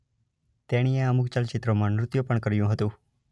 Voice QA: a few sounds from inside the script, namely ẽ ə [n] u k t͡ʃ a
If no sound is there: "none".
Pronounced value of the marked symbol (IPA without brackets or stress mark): m